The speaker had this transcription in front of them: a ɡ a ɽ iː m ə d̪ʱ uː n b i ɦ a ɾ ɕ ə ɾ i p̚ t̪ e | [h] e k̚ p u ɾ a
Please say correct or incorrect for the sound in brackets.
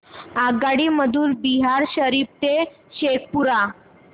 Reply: incorrect: ɕ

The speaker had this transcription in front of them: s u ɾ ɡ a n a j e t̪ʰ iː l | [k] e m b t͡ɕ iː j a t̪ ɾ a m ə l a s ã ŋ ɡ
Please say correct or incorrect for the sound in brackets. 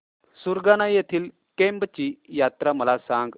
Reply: correct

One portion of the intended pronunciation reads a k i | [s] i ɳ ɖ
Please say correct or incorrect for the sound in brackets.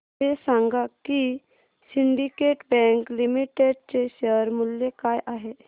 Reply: correct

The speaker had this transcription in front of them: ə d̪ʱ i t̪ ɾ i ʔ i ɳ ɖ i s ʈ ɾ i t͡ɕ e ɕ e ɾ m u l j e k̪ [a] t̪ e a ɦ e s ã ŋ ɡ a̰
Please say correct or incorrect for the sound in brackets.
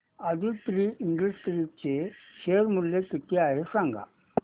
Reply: incorrect: i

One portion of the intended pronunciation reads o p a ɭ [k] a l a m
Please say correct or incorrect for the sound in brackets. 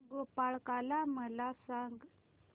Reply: correct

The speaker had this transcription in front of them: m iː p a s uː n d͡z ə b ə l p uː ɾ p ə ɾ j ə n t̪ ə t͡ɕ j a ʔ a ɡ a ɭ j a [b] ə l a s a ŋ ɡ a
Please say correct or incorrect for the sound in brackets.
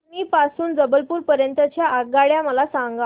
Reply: incorrect: m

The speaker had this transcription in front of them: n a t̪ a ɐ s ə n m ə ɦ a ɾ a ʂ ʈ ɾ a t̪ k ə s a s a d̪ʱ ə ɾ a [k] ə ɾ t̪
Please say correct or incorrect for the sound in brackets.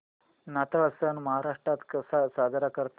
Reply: correct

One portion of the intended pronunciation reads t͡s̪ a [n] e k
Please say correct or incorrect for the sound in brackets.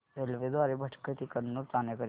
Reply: correct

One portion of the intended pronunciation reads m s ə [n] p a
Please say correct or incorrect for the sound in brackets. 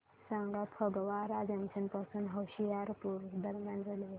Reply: correct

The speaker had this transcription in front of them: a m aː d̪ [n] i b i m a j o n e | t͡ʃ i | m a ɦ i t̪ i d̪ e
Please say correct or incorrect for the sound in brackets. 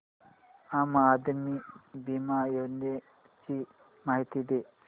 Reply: incorrect: m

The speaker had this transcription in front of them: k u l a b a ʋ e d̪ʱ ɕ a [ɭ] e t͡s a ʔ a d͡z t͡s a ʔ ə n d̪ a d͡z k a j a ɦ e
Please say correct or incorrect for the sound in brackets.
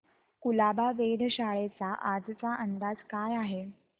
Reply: correct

